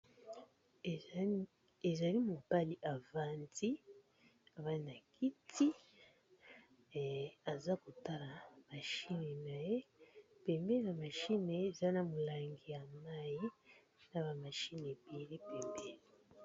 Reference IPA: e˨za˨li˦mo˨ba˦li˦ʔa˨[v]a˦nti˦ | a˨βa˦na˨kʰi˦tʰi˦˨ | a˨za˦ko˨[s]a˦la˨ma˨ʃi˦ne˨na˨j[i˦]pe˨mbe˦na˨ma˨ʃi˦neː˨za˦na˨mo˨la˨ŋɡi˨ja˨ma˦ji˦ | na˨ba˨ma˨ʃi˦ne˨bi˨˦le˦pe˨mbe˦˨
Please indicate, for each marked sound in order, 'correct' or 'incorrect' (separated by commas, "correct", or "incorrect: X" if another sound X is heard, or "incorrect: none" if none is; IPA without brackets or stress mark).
correct, incorrect: t, incorrect: e˦